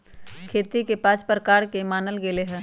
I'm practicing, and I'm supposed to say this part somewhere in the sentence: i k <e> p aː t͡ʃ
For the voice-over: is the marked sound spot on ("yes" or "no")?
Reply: yes